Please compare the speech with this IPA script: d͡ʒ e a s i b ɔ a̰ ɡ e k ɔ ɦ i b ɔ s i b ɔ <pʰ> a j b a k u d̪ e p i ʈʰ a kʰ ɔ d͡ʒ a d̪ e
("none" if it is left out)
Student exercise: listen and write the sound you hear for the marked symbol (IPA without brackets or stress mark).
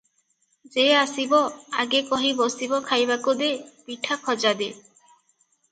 kʰ